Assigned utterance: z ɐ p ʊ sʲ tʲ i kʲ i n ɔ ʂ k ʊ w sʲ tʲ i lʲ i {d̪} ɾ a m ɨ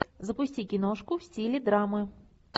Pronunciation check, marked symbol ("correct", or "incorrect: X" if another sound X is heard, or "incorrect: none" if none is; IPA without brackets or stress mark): correct